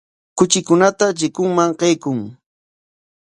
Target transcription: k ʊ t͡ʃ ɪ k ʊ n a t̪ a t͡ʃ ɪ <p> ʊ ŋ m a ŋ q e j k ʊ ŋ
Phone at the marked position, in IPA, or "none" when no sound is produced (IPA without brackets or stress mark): k